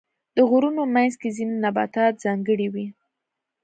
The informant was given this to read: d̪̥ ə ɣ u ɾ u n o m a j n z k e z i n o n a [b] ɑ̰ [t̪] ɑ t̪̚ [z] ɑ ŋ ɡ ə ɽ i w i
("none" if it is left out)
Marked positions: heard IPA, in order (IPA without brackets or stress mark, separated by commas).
b, t̪, z